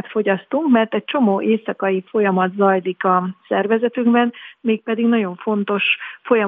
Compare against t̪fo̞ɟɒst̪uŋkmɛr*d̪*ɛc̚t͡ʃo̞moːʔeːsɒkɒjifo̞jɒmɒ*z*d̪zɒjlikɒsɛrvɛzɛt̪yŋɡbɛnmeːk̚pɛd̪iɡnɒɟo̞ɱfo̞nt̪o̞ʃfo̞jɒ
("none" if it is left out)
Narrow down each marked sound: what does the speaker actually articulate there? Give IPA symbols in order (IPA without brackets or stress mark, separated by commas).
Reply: t̪, none